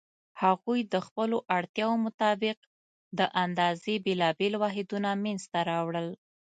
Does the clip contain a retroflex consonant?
yes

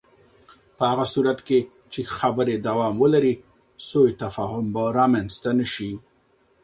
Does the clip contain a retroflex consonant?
no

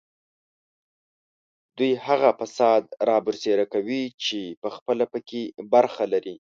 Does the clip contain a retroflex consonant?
no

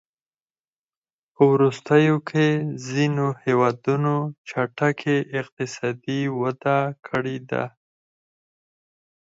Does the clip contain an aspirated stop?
yes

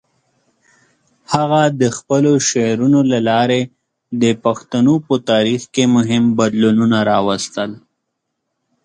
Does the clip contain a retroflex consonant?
no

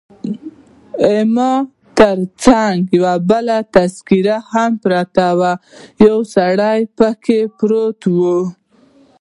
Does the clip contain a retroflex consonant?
yes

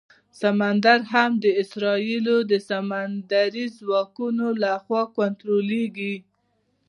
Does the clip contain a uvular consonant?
no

